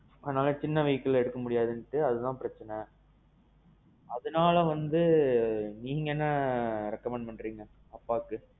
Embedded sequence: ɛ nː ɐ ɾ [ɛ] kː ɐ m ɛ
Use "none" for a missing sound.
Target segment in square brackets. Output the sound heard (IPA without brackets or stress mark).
ɛ